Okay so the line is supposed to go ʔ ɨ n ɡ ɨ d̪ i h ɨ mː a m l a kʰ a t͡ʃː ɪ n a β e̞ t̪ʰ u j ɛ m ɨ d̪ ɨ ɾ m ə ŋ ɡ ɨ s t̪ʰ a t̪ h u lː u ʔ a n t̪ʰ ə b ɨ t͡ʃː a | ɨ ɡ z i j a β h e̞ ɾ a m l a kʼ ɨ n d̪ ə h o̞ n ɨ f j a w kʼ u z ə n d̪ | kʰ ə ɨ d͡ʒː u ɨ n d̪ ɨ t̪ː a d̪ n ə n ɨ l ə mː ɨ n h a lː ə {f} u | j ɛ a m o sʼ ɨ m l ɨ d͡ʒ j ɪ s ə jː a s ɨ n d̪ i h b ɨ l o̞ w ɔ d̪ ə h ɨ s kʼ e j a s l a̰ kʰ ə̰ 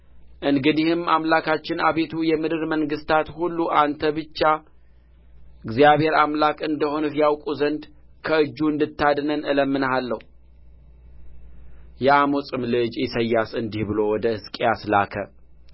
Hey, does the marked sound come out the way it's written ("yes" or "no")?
no